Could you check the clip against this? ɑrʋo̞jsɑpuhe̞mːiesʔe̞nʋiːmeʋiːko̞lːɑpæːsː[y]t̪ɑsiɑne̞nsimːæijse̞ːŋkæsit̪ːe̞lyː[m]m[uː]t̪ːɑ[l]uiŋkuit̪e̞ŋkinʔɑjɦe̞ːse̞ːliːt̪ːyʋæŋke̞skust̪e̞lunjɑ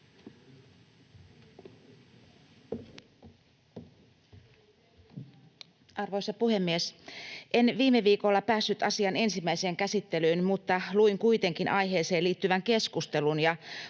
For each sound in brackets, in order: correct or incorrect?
correct, incorrect: n, incorrect: u, correct

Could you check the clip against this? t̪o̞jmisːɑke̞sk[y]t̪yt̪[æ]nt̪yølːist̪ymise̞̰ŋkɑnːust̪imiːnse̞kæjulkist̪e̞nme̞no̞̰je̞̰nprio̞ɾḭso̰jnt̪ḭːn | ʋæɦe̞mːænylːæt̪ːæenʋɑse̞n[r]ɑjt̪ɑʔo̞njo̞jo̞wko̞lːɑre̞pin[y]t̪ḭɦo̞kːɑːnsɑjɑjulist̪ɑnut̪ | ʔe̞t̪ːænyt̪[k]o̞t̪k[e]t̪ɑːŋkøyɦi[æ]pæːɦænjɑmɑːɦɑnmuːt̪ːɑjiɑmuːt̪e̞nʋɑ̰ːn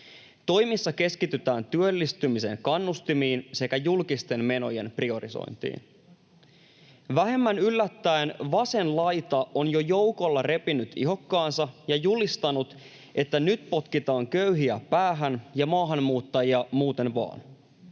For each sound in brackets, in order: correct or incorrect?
incorrect: i, incorrect: æː, incorrect: l, correct, incorrect: p, incorrect: i, correct

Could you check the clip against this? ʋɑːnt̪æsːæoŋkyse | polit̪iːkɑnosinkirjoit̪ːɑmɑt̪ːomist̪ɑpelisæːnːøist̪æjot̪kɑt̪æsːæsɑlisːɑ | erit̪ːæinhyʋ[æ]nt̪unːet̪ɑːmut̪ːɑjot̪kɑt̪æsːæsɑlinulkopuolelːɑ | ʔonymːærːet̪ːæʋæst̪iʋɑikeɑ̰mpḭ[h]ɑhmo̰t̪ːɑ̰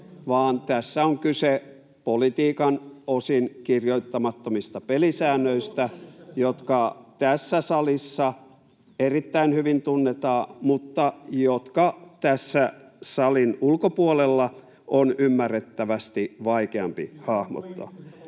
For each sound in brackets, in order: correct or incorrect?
incorrect: i, correct

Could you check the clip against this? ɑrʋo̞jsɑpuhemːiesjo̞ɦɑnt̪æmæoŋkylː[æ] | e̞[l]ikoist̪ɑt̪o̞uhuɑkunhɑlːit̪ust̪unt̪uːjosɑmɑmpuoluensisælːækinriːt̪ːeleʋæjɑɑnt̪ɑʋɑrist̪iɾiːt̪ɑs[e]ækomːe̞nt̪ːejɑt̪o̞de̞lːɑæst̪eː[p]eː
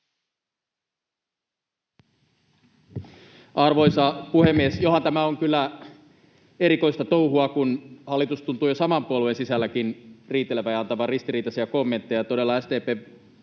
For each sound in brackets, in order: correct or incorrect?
correct, incorrect: ɾ, incorrect: i, correct

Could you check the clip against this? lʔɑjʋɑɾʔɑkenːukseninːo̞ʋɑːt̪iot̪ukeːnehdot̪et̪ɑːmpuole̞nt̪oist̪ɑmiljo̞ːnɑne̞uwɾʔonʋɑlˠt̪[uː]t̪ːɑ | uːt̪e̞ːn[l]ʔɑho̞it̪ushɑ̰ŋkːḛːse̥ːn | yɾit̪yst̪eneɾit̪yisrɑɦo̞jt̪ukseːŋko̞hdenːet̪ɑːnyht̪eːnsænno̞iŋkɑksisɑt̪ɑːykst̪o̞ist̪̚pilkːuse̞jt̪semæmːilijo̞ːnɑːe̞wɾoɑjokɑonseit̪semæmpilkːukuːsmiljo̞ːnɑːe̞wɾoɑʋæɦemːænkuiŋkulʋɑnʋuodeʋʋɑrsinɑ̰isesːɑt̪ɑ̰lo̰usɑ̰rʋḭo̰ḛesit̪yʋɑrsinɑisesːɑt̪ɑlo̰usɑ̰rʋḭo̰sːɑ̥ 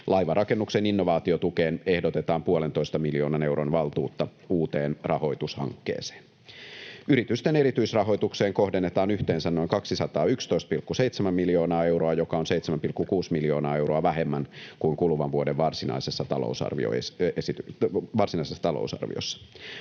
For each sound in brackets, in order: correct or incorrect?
correct, incorrect: r

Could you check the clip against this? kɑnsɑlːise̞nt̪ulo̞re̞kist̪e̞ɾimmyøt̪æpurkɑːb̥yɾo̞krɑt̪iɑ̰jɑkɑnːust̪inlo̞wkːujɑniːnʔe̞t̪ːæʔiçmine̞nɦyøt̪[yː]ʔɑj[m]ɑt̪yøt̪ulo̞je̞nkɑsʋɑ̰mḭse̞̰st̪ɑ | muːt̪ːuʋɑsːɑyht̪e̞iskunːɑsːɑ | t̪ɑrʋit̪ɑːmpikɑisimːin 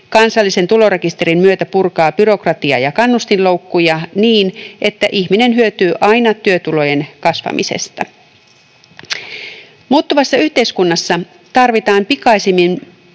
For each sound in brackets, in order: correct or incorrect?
correct, incorrect: n

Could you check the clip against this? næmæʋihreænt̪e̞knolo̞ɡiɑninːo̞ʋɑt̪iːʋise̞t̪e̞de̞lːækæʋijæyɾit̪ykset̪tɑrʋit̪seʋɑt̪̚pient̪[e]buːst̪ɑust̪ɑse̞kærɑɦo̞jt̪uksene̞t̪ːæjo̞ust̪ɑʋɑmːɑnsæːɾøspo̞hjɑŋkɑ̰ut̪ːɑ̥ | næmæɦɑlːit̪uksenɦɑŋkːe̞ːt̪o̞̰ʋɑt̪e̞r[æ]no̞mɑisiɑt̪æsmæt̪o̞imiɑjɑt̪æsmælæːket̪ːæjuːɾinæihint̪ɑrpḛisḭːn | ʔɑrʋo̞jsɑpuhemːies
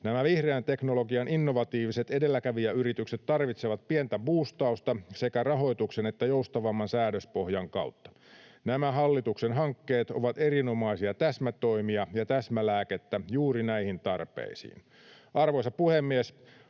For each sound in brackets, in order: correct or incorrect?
incorrect: æ, incorrect: i

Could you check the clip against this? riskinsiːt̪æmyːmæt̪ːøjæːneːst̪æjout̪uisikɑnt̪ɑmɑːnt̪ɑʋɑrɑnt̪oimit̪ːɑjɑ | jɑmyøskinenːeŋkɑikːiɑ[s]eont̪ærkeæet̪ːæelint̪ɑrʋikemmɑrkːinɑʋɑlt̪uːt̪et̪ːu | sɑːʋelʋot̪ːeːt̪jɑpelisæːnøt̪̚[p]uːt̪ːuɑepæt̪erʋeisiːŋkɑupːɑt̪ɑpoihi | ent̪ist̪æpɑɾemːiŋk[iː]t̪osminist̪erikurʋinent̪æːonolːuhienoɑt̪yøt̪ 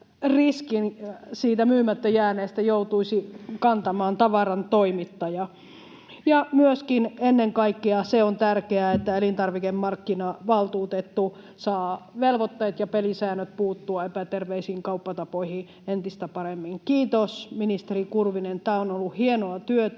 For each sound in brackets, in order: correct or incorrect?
correct, correct, correct

